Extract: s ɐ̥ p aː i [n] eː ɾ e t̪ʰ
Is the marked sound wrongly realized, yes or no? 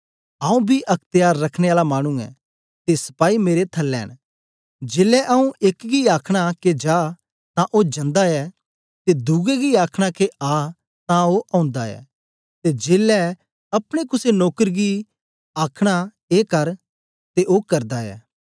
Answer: yes